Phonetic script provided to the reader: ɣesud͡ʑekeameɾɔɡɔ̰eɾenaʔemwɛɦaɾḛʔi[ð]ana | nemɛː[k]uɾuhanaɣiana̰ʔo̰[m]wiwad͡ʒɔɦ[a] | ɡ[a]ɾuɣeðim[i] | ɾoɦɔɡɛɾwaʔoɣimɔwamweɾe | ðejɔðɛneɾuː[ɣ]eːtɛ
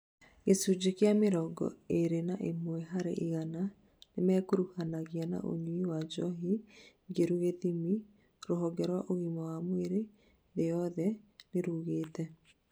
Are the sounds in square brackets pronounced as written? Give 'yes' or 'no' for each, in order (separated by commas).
no, yes, no, no, no, yes, yes